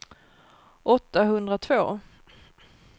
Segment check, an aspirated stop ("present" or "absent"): present